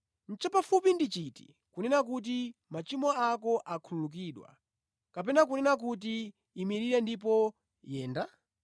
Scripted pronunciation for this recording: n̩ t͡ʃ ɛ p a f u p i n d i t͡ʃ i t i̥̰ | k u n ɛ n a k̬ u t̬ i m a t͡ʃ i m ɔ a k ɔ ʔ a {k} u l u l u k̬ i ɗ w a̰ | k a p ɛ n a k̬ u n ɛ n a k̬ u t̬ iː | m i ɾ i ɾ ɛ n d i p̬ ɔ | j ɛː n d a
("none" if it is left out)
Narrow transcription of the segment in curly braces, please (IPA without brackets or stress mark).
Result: kʰ